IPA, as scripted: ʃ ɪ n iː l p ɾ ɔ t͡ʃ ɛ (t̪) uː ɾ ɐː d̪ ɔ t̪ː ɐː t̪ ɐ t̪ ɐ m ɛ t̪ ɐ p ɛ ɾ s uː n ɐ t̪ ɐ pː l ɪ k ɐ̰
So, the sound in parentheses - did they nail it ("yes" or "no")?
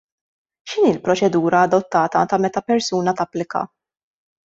no